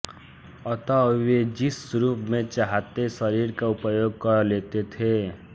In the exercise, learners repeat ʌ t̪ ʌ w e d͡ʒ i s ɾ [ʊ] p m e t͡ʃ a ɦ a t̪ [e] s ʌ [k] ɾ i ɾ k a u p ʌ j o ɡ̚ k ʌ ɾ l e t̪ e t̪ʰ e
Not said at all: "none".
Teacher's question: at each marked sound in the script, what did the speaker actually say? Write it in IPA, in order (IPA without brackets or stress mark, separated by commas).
u, e, none